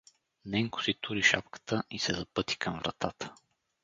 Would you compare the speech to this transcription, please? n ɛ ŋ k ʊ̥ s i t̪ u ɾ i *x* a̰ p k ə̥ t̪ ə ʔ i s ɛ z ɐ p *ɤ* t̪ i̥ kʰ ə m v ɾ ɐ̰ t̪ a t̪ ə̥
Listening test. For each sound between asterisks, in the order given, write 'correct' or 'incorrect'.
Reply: incorrect: ʃ, correct

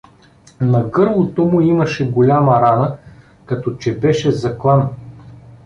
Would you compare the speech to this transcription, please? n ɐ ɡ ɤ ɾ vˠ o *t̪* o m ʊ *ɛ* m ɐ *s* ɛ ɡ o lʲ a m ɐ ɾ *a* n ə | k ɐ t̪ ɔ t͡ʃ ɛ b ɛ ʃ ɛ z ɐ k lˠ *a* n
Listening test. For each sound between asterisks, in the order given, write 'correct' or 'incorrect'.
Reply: correct, incorrect: i, incorrect: ʃ, correct, correct

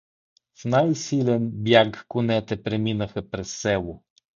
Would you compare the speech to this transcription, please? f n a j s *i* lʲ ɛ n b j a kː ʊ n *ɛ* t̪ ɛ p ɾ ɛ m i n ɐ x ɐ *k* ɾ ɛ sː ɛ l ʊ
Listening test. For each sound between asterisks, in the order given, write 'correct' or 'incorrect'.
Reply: correct, correct, incorrect: p

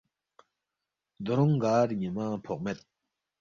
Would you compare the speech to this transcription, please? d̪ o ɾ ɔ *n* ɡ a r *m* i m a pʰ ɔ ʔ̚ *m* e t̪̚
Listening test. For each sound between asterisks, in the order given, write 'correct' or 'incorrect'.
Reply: incorrect: ŋ, incorrect: ɲ, correct

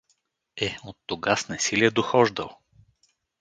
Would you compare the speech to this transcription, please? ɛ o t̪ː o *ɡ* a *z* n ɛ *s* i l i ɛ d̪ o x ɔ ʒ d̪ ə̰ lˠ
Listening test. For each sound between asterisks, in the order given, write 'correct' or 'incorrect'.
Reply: correct, incorrect: s, correct

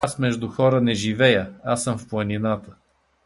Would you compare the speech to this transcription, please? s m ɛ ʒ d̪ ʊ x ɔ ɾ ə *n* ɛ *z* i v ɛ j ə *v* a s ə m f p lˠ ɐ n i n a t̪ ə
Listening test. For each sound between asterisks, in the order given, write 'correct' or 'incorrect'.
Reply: correct, incorrect: ʒ, incorrect: none

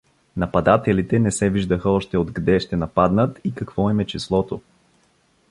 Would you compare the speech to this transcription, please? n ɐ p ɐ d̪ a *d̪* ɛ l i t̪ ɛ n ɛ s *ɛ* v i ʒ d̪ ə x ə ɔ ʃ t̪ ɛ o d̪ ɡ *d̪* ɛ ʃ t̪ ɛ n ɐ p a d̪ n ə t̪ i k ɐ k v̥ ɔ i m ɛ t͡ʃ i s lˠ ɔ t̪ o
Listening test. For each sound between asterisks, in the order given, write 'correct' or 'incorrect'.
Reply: incorrect: t̪, correct, correct

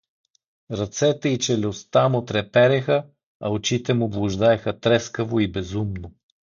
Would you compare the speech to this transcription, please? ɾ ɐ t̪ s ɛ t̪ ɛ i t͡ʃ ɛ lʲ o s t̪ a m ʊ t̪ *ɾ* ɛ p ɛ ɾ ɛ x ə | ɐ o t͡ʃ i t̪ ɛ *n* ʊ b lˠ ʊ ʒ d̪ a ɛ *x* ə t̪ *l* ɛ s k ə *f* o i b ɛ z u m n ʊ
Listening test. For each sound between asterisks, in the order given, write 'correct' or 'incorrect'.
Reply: correct, incorrect: m, correct, incorrect: ɾ, incorrect: v

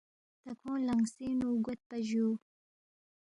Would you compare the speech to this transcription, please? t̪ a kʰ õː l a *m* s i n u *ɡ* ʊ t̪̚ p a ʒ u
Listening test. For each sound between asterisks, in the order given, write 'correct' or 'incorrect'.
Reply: incorrect: ŋ, correct

